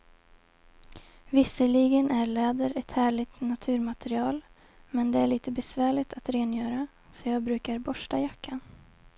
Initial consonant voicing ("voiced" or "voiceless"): voiced